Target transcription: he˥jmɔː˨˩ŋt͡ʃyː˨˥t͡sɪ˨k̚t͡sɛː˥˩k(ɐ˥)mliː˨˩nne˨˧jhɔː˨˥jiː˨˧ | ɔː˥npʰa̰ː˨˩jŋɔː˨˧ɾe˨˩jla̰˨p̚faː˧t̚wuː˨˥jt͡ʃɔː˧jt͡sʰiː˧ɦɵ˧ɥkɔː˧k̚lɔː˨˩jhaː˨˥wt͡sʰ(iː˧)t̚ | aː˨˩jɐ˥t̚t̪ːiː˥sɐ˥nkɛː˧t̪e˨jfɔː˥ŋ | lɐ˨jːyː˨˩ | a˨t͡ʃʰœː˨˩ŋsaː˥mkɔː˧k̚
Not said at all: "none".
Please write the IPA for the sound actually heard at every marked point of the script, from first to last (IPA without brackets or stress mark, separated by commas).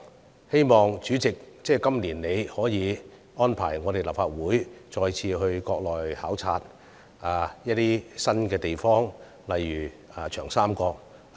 ɐ˥, aː˧